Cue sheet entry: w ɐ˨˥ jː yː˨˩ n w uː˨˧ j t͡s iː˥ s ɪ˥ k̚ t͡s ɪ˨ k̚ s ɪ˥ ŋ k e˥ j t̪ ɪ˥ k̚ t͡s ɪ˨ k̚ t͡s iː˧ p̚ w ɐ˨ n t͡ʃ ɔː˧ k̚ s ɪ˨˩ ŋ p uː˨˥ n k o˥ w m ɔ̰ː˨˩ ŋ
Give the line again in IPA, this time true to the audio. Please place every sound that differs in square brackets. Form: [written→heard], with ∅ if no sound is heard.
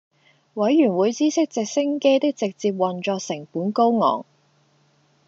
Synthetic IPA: w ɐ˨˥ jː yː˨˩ n w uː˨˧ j t͡s iː˥ s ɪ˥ k̚ t͡s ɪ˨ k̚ s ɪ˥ ŋ k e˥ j t̪ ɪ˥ k̚ t͡s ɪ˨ k̚ t͡s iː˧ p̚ w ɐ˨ n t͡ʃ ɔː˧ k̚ s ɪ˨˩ ŋ p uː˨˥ n k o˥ w [m→ŋ] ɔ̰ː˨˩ ŋ